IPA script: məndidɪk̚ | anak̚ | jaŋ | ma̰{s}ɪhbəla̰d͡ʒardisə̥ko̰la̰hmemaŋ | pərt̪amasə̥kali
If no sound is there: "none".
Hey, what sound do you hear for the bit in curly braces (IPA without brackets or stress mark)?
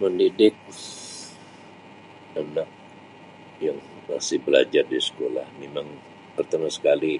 s